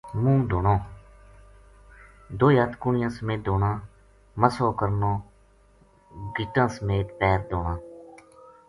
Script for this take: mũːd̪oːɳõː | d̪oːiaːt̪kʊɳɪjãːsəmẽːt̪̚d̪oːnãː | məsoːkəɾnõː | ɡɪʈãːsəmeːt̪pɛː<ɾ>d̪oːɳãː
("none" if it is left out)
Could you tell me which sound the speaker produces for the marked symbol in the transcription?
ɾ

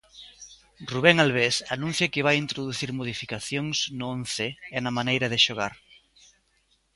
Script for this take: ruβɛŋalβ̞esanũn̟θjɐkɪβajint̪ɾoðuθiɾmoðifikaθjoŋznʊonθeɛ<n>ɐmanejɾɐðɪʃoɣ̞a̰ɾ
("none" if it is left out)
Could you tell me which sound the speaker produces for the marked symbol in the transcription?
n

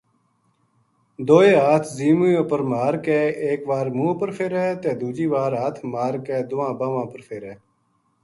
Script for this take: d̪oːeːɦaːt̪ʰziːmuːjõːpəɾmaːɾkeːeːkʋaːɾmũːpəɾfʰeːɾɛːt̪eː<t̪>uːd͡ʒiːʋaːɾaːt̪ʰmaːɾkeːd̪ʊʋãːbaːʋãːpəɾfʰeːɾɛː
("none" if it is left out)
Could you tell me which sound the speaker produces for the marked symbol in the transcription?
d̪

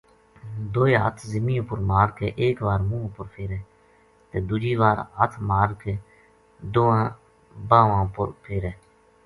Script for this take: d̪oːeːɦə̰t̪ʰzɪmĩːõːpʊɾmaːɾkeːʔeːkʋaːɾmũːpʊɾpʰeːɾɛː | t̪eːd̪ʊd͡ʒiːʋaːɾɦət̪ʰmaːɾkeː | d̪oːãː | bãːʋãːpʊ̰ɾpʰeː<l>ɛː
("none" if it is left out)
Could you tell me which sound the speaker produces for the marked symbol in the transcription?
ɾ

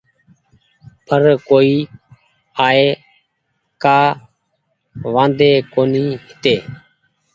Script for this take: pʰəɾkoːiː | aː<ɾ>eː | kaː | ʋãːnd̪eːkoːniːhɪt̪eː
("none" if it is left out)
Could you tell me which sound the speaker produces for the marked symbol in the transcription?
none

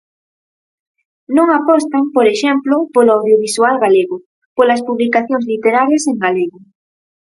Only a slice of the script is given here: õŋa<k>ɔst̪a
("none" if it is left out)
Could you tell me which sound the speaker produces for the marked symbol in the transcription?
p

